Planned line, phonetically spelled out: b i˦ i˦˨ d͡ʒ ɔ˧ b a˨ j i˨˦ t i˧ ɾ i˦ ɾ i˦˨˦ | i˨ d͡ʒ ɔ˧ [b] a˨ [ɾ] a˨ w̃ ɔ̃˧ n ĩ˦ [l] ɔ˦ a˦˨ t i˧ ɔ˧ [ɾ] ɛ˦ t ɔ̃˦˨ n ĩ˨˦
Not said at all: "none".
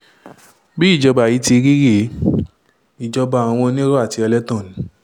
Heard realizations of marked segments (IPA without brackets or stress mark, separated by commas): b, none, ɾ, l